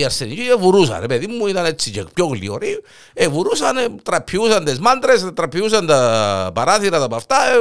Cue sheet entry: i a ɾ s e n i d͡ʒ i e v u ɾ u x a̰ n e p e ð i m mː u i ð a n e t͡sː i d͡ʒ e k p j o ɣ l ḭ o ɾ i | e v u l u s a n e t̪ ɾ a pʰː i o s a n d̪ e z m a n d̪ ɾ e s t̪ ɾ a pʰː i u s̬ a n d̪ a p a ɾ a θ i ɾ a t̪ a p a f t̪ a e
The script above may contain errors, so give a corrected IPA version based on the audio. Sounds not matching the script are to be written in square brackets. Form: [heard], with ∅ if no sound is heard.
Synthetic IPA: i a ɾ s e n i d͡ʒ i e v u ɾ u [s] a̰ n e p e ð i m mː u i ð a n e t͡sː i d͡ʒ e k p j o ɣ l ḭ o ɾ i | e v u [ɾ] u s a n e t̪ ɾ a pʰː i [u] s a n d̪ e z m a n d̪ ɾ e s t̪ ɾ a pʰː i u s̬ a n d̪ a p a ɾ a θ i ɾ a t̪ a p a f t̪ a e